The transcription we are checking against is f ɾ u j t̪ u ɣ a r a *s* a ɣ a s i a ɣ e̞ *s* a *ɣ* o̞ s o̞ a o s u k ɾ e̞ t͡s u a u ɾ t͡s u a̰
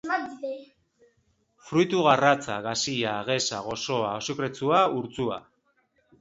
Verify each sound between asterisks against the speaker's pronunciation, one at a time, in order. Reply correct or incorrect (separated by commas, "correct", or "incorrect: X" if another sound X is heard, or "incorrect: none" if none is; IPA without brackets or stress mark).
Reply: incorrect: t͡s, correct, correct